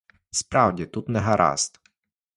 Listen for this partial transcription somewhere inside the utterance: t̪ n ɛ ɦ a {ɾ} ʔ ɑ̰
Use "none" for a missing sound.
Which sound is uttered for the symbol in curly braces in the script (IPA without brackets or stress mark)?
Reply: ɾ